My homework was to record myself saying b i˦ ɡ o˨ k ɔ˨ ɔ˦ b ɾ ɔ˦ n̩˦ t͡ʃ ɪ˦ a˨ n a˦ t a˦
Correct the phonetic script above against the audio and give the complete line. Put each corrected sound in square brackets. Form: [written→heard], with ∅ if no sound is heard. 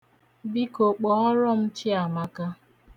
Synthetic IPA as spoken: b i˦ [ɡ→k] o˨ [k→k͡p] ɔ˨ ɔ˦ [b→∅] ɾ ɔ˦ [n̩˦→m̩˦] t͡ʃ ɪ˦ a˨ [n→m] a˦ [t→k] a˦